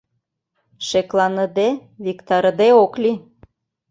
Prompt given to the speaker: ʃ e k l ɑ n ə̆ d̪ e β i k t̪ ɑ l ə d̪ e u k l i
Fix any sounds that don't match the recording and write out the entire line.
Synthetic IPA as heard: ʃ e k l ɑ n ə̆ d̪ e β i k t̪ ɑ ɾ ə d̪ e o k l i